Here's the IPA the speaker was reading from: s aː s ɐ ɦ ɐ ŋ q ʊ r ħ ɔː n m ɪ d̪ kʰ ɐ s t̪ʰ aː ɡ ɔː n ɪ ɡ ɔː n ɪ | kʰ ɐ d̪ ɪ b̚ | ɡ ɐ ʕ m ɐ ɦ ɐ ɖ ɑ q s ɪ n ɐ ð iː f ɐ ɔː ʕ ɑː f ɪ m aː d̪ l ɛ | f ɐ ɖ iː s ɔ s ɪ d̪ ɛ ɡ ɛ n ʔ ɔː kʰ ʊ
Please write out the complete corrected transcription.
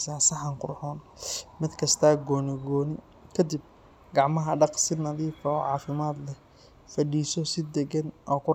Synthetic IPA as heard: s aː s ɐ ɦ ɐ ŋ q ʊ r ħ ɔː n m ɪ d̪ kʰ ɐ s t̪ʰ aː ɡ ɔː n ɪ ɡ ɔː n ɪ | kʰ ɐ d̪ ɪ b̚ | ɡ ɑ ʕ m ɐ ɦ ɐ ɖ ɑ q s ɪ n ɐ ð iː f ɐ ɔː ʕ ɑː f ɪ m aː d̪ l ɛ | f ɐ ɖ iː s ɔ s ɪ d̪ ɛ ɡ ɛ n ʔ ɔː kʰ ʊ